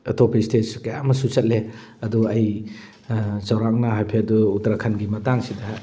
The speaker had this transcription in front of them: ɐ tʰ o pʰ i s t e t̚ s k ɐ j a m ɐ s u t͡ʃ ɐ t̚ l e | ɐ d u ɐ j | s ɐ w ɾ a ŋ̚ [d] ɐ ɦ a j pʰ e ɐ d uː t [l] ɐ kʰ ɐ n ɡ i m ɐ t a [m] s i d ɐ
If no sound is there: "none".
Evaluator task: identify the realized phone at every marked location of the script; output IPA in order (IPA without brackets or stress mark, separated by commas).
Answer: n, ɾ, ŋ